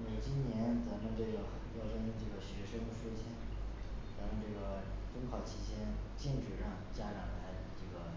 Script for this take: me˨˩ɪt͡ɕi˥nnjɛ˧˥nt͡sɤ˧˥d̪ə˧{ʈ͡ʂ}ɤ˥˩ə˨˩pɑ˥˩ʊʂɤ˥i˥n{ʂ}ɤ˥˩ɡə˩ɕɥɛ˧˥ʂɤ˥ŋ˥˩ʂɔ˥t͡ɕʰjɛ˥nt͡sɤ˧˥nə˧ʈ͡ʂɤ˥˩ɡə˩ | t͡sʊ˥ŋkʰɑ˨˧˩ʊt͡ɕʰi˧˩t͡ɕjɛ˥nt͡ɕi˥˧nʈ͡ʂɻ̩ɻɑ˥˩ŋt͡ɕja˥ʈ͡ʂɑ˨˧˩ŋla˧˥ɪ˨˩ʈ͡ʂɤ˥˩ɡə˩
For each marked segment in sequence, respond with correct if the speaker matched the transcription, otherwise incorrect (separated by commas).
correct, incorrect